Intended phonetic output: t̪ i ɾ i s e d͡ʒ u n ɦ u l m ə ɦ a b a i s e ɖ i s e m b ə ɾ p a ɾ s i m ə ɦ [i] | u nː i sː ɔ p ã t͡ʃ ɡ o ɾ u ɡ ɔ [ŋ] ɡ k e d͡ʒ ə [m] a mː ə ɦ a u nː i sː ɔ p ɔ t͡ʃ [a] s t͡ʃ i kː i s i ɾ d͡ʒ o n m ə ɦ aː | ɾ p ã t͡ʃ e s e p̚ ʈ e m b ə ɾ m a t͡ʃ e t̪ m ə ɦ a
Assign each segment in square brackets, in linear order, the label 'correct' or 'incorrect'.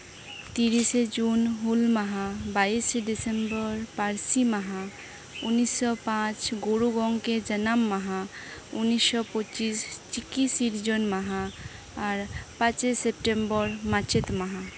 incorrect: a, correct, incorrect: n, incorrect: i

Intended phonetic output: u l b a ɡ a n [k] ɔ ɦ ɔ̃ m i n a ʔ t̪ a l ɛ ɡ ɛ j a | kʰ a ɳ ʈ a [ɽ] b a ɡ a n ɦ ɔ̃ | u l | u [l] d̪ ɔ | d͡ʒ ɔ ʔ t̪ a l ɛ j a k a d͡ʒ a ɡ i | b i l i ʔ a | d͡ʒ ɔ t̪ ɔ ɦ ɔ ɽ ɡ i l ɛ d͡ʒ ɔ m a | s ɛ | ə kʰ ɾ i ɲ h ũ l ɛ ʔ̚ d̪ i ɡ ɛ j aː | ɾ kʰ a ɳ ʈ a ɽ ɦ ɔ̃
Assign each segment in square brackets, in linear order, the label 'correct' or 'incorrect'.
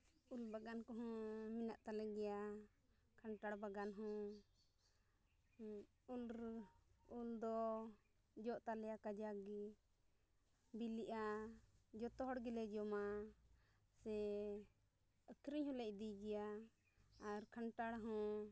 correct, correct, correct

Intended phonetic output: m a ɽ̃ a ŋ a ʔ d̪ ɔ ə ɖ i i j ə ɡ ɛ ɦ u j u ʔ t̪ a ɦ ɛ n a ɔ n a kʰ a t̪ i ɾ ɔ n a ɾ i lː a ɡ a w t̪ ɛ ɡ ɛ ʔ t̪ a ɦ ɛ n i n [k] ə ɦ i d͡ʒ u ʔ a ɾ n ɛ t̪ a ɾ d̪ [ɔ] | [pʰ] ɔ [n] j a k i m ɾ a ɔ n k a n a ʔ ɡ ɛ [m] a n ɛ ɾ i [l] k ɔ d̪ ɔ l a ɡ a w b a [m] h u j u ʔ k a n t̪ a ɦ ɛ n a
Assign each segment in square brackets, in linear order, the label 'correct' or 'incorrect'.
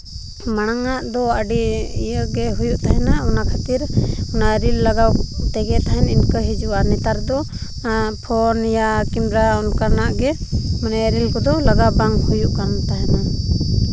correct, correct, correct, correct, correct, correct, incorrect: ŋ

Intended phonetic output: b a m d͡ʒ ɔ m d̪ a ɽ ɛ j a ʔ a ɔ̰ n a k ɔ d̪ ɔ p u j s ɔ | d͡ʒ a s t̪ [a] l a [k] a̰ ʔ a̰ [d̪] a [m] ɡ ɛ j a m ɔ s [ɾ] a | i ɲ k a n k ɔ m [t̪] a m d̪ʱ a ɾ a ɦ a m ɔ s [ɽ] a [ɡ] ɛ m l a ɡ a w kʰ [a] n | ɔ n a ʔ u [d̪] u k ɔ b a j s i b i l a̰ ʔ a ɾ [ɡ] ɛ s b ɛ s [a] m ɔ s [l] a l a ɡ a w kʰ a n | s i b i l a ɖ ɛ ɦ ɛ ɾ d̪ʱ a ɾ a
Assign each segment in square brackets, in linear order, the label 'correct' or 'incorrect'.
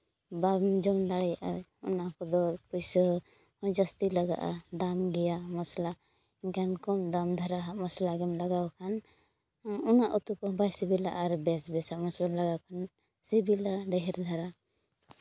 incorrect: i, incorrect: ɡ, correct, correct, incorrect: l, incorrect: d̪, incorrect: l, correct, correct, incorrect: t̪, incorrect: b, correct, correct

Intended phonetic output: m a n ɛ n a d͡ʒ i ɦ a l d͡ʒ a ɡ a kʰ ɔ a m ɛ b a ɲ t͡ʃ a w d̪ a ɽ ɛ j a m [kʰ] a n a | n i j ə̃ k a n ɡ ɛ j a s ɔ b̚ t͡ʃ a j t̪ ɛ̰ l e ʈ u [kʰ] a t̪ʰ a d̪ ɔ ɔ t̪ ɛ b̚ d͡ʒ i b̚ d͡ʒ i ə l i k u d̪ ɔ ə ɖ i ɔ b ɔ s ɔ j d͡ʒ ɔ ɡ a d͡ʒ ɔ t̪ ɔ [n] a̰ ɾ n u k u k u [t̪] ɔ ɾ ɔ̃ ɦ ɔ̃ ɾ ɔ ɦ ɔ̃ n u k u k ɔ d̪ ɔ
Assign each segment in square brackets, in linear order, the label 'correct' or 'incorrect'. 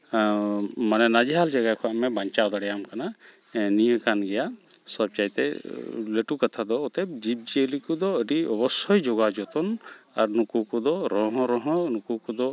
incorrect: k, incorrect: k, correct, incorrect: d̪

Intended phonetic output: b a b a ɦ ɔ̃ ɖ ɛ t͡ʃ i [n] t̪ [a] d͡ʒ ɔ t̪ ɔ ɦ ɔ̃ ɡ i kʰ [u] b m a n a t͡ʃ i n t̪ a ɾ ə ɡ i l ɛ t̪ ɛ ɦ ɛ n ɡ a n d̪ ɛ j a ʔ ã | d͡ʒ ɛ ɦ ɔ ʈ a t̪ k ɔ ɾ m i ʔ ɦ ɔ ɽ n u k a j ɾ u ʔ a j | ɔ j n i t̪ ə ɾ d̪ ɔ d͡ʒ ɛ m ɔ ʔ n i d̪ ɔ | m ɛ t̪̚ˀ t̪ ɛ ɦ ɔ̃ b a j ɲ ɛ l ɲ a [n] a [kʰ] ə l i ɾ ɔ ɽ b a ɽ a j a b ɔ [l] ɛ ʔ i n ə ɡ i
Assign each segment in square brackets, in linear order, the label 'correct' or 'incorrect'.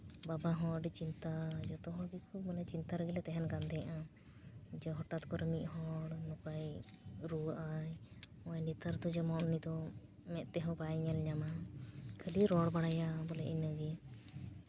correct, correct, correct, incorrect: m, correct, correct

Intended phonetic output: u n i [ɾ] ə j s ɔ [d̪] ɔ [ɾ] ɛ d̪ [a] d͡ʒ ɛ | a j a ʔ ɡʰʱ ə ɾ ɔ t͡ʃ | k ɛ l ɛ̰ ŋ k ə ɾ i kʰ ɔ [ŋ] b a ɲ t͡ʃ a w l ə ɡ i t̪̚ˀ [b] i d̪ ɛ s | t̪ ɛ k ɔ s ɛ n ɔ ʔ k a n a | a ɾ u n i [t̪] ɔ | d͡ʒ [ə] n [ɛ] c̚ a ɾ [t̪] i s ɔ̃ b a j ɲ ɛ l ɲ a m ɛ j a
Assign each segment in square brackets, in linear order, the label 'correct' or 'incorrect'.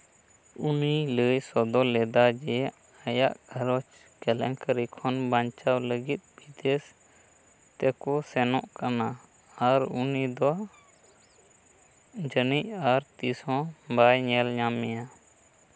incorrect: l, correct, incorrect: l, correct, incorrect: n, correct, incorrect: d̪, correct, incorrect: i, correct

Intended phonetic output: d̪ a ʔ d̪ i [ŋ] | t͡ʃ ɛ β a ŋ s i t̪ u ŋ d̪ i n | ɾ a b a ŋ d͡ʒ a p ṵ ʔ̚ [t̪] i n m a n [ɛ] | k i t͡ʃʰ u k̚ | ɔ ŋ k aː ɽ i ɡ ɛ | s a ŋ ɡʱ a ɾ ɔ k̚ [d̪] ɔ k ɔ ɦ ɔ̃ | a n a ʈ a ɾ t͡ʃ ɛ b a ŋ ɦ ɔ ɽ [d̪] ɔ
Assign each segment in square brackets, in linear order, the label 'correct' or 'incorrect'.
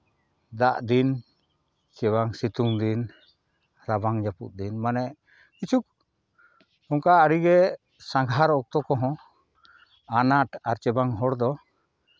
incorrect: n, incorrect: d̪, correct, incorrect: t̪, correct

